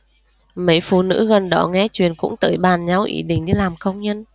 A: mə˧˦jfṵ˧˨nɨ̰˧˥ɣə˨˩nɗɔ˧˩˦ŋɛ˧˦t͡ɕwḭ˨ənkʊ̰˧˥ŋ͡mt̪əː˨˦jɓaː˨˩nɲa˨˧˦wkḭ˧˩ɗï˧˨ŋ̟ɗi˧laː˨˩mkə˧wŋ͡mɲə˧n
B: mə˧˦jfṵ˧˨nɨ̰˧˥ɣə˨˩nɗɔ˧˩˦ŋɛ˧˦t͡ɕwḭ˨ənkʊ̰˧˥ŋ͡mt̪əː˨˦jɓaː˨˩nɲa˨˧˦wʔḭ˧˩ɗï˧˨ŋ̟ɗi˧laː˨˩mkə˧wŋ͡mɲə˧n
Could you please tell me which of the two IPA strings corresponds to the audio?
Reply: B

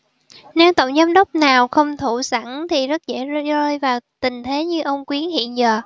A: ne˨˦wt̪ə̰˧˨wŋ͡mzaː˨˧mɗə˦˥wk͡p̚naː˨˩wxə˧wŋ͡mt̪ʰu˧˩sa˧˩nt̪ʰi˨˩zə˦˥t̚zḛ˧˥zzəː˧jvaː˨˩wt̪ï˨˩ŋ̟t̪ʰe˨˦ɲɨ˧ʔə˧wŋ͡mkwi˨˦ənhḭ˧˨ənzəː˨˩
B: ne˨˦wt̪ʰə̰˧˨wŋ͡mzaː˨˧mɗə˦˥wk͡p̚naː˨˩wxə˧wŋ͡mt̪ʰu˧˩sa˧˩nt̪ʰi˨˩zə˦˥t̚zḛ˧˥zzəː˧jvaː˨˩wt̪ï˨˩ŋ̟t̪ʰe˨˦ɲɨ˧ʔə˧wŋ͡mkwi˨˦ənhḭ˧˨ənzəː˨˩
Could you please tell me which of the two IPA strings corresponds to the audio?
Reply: A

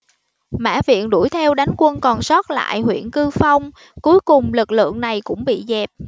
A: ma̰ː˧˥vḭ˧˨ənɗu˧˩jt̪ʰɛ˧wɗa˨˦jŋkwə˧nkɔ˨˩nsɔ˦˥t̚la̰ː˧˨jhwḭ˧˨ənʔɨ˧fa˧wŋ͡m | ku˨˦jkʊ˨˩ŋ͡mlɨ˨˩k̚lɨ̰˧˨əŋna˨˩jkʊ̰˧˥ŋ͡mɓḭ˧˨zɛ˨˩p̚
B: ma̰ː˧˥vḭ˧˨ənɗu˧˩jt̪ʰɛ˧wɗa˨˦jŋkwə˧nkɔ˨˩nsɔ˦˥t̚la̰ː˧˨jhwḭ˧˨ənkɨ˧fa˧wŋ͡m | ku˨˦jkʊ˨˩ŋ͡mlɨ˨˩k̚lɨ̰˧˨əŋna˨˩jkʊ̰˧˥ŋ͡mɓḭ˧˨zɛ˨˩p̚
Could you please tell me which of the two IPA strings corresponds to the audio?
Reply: B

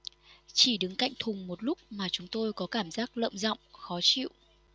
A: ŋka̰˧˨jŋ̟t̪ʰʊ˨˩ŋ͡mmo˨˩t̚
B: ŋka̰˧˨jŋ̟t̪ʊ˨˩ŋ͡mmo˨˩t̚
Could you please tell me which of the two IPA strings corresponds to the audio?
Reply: A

